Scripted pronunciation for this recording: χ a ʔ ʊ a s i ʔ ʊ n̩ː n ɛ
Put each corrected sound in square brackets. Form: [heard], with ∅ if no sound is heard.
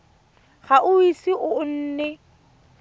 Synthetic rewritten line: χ a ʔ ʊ [i] s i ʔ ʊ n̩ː n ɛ